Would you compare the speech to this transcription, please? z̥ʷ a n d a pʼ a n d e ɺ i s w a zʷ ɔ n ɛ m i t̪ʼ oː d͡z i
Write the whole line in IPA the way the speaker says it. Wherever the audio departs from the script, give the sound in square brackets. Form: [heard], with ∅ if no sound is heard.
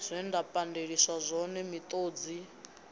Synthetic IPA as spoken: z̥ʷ [ɛ] n d a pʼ a n d e ɺ i s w a zʷ ɔ n ɛ m i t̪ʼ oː d͡z i